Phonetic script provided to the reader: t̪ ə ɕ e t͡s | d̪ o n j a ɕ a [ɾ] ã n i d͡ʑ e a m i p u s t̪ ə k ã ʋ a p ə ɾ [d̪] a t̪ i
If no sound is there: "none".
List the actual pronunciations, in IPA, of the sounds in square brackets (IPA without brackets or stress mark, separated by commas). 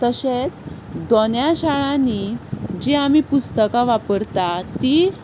ɭ, t̪